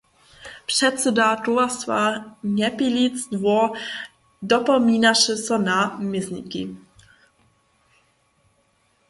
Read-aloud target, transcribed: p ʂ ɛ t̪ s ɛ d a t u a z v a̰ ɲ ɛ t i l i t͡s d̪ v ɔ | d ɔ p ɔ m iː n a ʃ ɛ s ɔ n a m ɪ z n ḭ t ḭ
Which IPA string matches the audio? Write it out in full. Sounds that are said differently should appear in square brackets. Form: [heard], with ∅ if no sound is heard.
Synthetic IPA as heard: p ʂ ɛ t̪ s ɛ d a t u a [s] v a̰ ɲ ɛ [p] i l i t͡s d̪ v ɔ | d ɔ p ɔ m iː n a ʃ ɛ s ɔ n a m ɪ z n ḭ [k] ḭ